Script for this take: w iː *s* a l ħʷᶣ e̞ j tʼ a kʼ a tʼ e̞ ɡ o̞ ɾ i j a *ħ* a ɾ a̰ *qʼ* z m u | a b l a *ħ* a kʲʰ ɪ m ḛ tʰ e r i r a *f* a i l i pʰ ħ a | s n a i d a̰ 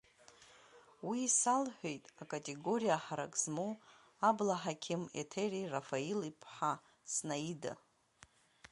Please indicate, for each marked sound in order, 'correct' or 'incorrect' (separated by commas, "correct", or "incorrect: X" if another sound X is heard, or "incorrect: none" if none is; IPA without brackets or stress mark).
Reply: correct, correct, incorrect: kʼ, correct, correct